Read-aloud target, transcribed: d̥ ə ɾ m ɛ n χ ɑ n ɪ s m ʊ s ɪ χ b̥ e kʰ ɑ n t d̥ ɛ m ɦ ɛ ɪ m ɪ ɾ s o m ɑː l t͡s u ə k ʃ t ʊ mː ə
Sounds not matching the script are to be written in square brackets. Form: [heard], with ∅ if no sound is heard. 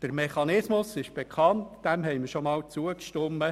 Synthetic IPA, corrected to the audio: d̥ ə ɾ m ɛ [∅] χ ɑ n ɪ s m ʊ s ɪ [ʃ] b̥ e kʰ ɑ n t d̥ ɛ m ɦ ɛ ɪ m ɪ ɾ [ʃ] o m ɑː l t͡s u ə k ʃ t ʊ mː ə

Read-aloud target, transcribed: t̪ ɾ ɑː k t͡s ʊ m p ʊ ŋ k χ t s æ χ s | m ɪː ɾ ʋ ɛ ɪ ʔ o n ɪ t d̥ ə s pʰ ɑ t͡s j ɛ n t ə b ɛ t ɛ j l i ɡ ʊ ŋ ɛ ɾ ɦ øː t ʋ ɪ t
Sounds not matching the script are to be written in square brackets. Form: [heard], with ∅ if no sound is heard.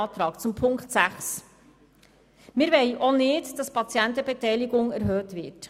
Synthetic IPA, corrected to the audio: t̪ ɾ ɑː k t͡s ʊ m [pʰ] ʊ ŋ k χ t s æ χ s | m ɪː ɾ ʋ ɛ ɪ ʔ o n ɪ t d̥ [ɑ] s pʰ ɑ t͡s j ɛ n t ə b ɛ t ɛ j l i ɡ ʊ ŋ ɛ ɾ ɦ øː t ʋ ɪ t

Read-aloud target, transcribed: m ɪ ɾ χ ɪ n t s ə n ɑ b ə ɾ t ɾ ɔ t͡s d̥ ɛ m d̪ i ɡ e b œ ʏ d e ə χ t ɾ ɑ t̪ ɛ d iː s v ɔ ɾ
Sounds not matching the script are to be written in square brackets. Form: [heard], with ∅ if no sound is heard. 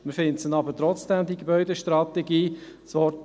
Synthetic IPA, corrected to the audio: m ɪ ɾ [f] ɪ n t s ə n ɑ b ə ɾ t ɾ ɔ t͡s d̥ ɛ m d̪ i ɡ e b œ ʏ d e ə [ʃ] t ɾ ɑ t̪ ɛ [ɡ] iː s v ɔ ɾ

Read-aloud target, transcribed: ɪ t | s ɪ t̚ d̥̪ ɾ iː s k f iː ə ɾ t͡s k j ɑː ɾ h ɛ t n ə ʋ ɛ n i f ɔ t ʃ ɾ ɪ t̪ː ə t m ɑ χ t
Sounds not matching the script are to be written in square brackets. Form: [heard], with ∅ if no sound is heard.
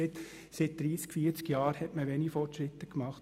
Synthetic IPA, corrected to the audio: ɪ t | s ɪ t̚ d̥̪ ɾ iː s k f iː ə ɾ t͡s k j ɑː ɾ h ɛ t [m] ə ʋ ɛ n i f ɔ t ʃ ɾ ɪ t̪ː ə [k] m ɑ χ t

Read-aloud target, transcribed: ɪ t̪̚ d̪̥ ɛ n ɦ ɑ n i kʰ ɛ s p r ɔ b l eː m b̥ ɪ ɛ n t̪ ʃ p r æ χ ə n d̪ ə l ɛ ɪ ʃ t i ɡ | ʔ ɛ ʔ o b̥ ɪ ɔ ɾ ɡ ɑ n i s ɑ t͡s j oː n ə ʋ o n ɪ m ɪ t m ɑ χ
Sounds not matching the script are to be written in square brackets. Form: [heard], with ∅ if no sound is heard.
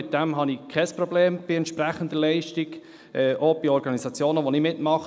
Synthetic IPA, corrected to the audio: ɪ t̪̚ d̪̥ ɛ [m] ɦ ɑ n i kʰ ɛ s p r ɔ b l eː m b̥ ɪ ɛ n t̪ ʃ p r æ χ ə n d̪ ə l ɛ ɪ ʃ t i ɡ | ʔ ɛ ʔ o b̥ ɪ ɔ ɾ ɡ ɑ n i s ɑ t͡s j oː n ə ʋ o n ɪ m ɪ t m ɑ χ

